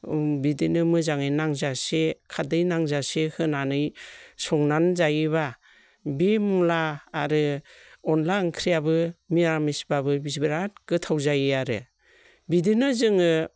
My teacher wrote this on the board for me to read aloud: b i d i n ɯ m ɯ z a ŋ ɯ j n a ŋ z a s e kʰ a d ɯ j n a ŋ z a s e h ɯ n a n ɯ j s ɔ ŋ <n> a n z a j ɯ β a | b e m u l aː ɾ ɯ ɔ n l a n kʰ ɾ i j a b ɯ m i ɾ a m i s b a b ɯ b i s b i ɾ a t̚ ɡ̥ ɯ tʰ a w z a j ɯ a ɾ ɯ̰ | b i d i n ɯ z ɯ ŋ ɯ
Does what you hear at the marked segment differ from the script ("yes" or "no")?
no